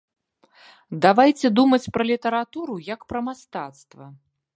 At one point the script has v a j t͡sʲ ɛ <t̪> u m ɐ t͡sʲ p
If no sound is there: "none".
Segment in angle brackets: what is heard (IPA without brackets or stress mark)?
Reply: d̪